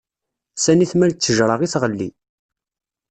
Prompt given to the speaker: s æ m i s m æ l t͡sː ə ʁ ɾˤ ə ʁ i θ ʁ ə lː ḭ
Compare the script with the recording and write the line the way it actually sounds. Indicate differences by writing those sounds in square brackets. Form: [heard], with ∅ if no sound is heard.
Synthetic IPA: s æ [n] i [θ] m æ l t͡sː ə [ʒ] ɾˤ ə ʁ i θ ʁ ə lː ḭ